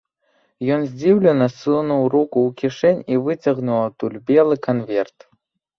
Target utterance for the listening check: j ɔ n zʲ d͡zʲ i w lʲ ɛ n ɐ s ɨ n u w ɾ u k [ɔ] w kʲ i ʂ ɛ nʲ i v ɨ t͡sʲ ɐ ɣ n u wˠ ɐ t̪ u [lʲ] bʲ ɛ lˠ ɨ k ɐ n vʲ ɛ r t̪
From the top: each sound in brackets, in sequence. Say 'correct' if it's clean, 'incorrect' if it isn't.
incorrect: u, correct

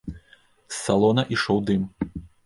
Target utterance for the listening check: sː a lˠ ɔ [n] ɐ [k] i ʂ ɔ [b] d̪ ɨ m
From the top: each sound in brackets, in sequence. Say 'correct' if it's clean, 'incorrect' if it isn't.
correct, incorrect: ʔ, incorrect: w

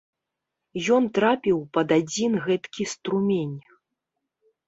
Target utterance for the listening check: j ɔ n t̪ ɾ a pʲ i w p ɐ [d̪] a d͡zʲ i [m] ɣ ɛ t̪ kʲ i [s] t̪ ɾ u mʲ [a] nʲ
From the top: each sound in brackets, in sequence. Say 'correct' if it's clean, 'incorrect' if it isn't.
correct, incorrect: n, correct, incorrect: e

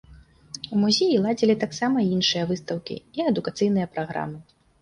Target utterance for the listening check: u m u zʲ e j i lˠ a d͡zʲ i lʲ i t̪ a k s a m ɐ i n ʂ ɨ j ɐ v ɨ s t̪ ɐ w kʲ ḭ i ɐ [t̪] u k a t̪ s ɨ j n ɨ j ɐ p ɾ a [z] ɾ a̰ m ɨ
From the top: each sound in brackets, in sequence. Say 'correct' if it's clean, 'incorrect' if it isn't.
incorrect: d̪, incorrect: ɣ

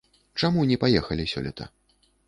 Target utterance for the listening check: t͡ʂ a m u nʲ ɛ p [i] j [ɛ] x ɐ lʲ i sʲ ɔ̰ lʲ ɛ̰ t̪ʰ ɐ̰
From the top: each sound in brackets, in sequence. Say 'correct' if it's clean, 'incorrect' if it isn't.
incorrect: a, correct

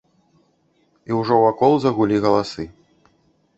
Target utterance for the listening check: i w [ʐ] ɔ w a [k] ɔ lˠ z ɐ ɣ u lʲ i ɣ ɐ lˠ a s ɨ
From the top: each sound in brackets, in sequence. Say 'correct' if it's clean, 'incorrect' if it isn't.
correct, correct

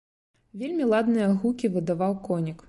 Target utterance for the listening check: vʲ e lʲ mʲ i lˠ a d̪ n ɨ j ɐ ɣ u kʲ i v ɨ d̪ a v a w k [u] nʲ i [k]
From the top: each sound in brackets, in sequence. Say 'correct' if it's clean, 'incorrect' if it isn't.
incorrect: ɔ, correct

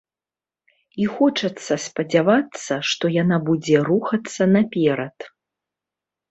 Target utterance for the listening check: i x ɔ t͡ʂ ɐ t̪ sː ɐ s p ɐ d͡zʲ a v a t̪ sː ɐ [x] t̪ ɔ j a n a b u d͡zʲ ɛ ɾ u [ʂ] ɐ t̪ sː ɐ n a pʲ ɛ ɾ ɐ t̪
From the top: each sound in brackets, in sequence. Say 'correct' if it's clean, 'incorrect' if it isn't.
incorrect: ʂ, incorrect: x

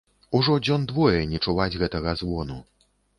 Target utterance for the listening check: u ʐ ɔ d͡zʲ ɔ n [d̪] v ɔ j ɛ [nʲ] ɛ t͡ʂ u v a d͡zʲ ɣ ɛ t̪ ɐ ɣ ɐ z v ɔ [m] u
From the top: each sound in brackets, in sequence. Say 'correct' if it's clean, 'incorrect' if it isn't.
correct, correct, incorrect: n

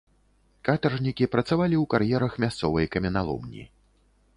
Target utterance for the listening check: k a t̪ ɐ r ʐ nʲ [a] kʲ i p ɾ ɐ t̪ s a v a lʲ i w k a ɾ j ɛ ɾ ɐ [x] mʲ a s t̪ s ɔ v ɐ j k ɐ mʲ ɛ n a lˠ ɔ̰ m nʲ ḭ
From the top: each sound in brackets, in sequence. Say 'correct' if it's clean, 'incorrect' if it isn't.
incorrect: i, correct

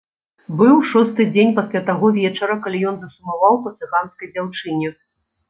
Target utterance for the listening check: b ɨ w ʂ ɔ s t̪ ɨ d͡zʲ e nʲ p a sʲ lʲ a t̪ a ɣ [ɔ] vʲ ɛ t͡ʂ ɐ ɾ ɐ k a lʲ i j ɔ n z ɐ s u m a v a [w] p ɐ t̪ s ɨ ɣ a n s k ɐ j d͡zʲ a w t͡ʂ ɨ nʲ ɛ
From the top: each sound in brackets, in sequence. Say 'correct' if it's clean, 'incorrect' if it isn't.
correct, correct

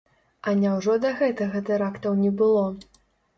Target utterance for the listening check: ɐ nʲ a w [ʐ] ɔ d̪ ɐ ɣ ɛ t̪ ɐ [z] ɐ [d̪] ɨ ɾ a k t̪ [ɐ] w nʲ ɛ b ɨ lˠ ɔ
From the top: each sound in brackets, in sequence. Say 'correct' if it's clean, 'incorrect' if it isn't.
correct, incorrect: ɣ, incorrect: t̪, correct

